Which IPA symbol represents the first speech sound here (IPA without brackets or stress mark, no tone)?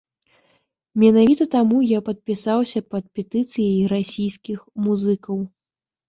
mʲ